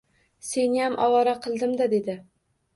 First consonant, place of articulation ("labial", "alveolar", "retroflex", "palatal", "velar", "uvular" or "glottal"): alveolar